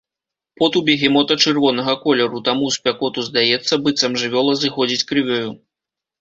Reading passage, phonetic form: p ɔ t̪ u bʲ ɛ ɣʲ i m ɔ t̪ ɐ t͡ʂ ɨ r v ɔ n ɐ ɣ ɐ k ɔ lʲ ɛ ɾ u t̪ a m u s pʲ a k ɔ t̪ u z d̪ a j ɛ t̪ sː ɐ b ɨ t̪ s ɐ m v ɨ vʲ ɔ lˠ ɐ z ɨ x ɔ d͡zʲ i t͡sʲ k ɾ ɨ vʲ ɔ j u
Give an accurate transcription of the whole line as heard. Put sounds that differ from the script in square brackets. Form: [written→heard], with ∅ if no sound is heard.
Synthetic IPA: p ɔ t̪ u bʲ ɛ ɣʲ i m ɔ t̪ ɐ t͡ʂ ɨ r v ɔ n ɐ ɣ ɐ k ɔ lʲ ɛ ɾ u t̪ a m u s pʲ a k ɔ t̪ u z d̪ a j ɛ t̪ sː ɐ b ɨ t̪ s ɐ m [v→ʐ] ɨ vʲ ɔ lˠ ɐ z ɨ x ɔ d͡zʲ i t͡sʲ k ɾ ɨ vʲ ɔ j u